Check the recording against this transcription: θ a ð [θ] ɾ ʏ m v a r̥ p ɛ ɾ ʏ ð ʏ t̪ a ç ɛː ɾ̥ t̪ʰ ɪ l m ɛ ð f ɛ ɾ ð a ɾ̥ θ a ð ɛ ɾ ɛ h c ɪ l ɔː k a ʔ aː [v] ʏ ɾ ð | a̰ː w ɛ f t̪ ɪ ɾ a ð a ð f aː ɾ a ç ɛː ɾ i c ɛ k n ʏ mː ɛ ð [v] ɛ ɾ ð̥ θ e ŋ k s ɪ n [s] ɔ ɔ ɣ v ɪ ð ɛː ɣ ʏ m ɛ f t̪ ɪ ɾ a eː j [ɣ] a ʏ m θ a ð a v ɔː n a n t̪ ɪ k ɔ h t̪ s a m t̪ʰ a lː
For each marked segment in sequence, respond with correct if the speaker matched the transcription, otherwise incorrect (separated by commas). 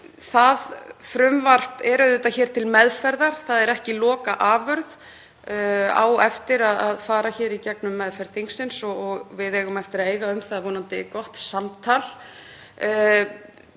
incorrect, correct, incorrect, correct, correct